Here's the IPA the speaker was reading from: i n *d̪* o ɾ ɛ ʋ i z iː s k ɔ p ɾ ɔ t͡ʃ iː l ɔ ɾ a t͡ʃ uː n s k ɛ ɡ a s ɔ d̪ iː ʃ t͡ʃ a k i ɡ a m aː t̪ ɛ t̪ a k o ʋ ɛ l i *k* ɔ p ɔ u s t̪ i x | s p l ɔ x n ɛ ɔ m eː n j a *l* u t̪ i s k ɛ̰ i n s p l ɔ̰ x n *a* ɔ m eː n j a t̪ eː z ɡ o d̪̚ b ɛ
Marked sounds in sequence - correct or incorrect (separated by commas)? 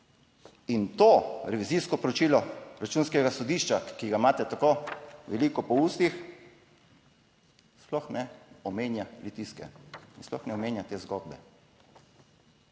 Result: incorrect, correct, correct, incorrect